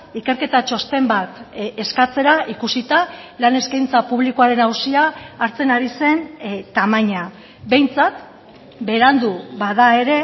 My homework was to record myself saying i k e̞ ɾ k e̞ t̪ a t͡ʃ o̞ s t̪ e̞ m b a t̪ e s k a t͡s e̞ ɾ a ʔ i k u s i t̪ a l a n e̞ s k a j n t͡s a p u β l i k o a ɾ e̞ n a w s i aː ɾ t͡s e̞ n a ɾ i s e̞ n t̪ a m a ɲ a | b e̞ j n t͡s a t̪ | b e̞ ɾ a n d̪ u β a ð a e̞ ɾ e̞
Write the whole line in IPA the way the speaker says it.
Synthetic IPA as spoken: i k e̞ ɾ k e̞ t̪ a t͡ʃ o̞ s t̪ e̞ m b a t̪ e s k a t͡s e̞ ɾ a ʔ i k u s i t̪ a l a n e̞ s k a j n t͡s a p u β l i k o a ɾ e̞ n a w s i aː ɾ t͡s e̞ n a ɾ i s e̞ n t̪ a m a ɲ a | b e̞ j n t͡s a t̪ | b e̞ ɾ a n d̪ u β a ð a e̞ ɾ e̞